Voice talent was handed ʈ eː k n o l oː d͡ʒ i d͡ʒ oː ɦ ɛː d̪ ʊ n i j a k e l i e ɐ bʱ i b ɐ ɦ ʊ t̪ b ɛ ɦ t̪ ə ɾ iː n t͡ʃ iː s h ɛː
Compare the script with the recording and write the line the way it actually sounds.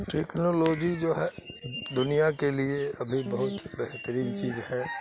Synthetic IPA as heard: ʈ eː k n o l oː d͡ʒ i d͡ʒ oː ɦ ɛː d̪ ʊ n i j a k e l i e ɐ bʱ i b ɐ ɦ ʊ t̪ b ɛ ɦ t̪ ə ɾ iː n t͡ʃ iː z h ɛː